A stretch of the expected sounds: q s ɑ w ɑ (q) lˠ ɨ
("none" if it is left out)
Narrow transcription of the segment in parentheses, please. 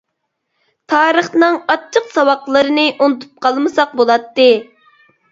q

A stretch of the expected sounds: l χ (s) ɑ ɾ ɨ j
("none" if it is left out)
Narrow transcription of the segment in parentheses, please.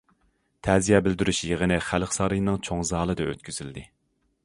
s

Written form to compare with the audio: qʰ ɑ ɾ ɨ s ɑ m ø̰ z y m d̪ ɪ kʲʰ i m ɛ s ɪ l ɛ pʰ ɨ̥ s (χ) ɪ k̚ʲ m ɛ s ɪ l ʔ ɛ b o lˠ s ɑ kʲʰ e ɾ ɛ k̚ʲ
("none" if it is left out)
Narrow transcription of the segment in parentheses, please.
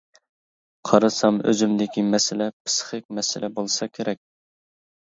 χ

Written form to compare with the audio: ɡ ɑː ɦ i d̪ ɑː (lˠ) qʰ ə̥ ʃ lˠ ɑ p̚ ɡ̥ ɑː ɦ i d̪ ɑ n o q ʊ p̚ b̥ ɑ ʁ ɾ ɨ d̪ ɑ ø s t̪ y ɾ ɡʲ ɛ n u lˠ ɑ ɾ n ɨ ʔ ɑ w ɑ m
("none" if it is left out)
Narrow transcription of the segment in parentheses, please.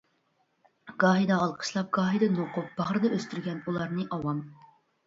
lˠ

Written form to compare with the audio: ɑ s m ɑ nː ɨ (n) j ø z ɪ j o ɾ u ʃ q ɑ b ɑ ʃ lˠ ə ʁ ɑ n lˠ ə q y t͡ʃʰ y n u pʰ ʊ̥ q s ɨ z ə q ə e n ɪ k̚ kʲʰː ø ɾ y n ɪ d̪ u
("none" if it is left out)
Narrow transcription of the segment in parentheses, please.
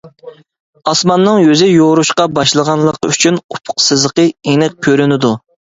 ŋ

